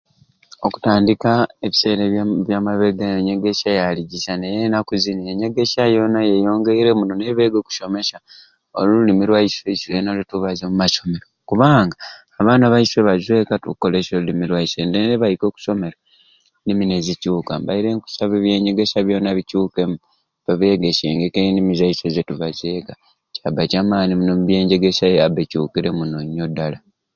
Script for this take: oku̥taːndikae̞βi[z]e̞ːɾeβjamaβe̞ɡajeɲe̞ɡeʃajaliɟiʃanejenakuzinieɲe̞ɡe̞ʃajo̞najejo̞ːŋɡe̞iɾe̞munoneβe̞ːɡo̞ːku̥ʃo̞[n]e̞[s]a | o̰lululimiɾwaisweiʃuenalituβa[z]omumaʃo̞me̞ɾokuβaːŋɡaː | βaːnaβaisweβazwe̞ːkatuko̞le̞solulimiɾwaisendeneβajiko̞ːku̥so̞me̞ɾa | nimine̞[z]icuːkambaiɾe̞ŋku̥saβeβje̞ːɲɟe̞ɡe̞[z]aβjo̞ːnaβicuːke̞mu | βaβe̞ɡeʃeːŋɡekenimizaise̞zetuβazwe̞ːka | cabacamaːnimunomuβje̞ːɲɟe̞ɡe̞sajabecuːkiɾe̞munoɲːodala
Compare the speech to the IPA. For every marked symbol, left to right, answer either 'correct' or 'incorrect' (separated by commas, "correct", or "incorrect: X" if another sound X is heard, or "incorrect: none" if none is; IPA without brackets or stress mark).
incorrect: s, incorrect: m, incorrect: ʃ, correct, correct, incorrect: s